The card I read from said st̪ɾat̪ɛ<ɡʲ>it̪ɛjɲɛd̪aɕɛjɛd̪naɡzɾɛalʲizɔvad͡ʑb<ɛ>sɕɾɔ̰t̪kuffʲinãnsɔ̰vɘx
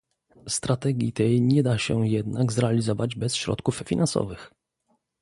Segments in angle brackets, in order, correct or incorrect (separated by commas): correct, correct